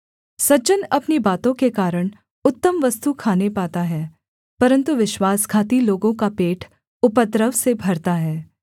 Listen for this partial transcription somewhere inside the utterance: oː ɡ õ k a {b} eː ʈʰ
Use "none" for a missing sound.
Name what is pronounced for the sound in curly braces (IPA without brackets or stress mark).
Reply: p